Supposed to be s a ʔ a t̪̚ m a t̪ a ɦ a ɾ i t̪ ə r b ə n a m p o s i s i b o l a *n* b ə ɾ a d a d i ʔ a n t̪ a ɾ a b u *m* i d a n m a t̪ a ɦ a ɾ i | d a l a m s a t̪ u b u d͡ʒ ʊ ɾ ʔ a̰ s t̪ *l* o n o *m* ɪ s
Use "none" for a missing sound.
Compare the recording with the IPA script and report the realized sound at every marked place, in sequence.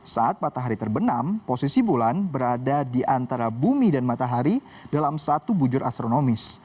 n, m, ɾ, m

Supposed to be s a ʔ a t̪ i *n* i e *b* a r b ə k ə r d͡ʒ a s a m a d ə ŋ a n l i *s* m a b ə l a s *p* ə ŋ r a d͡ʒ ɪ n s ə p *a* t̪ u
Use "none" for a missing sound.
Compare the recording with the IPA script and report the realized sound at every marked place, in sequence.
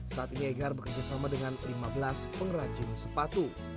n, ɡ, none, p, a

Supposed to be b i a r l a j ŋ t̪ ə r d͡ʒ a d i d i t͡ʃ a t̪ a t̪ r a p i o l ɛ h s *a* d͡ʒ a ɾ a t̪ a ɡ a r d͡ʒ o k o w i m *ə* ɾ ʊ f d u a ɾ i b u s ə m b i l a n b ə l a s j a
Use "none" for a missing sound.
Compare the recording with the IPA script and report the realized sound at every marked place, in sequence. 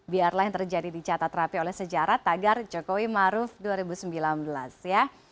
ə, a

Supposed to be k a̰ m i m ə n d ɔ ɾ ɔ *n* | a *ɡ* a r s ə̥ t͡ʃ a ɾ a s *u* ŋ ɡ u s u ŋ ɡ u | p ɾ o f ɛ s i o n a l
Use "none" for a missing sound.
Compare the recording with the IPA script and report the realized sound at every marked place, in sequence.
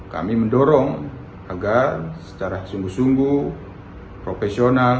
ŋ, ɡ, u

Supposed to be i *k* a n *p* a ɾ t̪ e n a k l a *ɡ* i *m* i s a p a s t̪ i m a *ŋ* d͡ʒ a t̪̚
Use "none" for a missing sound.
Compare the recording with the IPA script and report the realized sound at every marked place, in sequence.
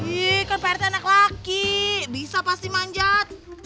k, p, k, b, ɲ

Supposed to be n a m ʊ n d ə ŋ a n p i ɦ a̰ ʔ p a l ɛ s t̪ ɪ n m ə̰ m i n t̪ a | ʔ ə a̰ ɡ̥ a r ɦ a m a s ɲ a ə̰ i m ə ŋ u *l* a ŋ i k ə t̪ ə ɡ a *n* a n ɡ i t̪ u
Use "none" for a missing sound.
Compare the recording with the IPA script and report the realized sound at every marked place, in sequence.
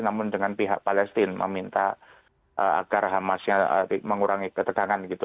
ɾ, ŋ

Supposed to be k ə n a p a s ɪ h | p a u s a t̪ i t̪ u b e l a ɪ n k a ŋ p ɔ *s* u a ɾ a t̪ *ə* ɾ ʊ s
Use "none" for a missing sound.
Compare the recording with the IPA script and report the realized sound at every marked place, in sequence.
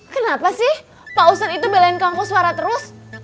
s, ə

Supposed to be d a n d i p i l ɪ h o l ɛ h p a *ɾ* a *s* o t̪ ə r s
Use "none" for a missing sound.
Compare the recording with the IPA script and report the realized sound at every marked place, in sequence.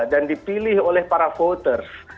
ɾ, f

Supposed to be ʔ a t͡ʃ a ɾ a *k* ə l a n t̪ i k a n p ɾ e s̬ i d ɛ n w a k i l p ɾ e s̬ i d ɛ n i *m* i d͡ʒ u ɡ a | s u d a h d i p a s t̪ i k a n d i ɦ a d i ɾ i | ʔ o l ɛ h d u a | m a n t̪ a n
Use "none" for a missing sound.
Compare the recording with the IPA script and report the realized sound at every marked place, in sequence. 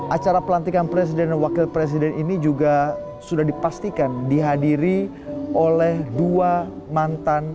p, n

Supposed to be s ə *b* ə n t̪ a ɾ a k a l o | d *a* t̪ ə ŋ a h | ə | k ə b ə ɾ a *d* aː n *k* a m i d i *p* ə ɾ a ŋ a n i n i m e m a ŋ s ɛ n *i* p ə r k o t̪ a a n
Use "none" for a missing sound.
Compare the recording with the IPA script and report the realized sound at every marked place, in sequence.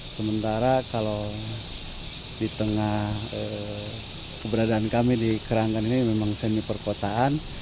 m, i, d, k, k, i

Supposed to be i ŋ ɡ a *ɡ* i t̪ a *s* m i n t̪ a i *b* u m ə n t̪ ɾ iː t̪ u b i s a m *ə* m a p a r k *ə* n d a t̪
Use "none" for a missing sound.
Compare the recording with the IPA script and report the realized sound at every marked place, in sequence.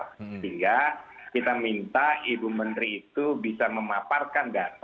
k, none, b, ə, a

